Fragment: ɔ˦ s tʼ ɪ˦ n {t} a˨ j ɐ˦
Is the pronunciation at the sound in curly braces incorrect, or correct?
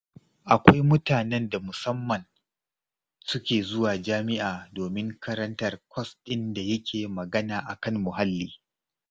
incorrect